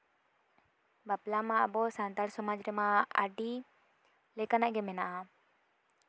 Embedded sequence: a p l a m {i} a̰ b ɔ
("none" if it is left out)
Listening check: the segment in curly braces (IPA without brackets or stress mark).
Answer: a